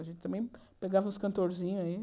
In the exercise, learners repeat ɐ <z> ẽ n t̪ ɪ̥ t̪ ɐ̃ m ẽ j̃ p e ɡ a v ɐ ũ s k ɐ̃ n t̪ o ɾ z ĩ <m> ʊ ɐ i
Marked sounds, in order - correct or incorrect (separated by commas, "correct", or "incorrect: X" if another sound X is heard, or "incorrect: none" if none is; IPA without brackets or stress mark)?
incorrect: ʒ, incorrect: ɲ